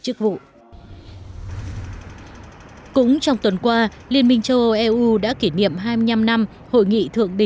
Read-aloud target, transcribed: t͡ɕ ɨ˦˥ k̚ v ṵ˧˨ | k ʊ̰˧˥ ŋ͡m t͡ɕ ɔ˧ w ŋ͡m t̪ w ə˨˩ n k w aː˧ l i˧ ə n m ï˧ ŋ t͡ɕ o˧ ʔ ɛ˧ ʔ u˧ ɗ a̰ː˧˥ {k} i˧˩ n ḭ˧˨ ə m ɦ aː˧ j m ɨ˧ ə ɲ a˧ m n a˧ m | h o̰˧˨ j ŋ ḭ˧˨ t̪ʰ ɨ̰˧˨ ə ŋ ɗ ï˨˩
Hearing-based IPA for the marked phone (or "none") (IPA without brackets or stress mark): k